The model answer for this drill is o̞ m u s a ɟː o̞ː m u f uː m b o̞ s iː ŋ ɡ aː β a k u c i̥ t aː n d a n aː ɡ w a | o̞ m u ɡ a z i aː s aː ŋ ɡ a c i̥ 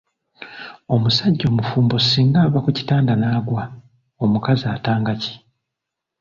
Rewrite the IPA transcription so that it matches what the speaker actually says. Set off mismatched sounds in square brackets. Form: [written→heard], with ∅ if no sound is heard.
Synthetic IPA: o̞ m u s a ɟː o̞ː m u f uː m b o̞ s iː ŋ ɡ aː β a k u c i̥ t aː n d a n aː ɡ w a | o̞ m u [ɡ→k] a z i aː [s→t] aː ŋ ɡ a c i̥